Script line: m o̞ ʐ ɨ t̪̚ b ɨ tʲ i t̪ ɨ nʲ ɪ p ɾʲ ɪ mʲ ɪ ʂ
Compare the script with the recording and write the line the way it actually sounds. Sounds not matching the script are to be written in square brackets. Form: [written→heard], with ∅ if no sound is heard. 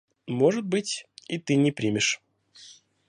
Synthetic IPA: m o̞ ʐ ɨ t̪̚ b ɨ tʲ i t̪ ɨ nʲ ɪ p ɾʲ [ɪ→i] mʲ ɪ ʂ